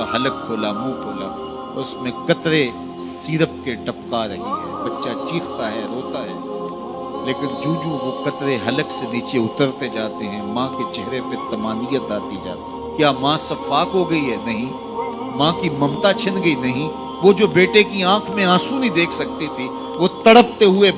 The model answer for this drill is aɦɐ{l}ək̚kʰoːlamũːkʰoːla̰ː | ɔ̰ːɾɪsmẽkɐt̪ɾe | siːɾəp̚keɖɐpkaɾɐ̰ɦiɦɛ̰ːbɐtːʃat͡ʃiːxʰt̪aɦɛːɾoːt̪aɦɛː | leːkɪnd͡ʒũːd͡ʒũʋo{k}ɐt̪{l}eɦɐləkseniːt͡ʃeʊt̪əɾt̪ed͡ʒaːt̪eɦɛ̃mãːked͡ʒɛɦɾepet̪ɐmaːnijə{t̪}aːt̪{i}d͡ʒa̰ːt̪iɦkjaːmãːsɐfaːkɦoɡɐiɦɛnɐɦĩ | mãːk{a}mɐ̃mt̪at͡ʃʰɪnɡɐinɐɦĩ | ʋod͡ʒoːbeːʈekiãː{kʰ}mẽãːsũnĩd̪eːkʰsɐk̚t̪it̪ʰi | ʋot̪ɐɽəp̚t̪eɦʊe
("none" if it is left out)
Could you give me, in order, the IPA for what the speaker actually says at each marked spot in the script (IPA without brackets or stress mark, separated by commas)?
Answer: l, k, ɾ, t̪, i, i, kʰ